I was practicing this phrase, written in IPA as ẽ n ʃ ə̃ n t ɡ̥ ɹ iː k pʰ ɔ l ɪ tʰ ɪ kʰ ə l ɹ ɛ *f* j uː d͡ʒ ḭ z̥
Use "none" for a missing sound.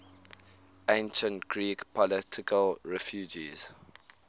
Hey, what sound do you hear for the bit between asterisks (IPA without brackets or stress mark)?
f